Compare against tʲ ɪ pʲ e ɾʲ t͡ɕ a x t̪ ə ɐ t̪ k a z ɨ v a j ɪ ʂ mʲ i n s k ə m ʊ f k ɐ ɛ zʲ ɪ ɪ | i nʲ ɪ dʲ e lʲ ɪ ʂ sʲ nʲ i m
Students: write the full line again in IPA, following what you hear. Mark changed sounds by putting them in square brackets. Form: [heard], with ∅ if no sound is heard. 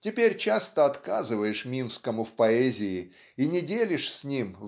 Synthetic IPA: tʲ ɪ pʲ e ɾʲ t͡ɕ a [s] t̪ ə ɐ t̪ k a z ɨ v [ə] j ɪ ʂ mʲ i n s k ə m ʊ f [p] ɐ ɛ zʲ ɪ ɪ | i nʲ ɪ dʲ e lʲ ɪ ʂ sʲ nʲ i m